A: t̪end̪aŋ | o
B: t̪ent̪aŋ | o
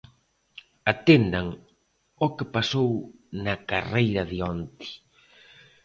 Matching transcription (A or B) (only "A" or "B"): A